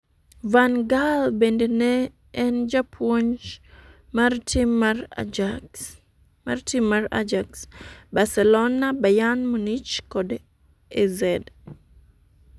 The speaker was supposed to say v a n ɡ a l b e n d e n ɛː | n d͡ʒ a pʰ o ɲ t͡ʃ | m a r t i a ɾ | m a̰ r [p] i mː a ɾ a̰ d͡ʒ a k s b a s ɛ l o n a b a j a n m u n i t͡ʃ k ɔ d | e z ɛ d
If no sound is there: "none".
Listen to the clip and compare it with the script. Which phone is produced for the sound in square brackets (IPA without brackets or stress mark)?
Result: t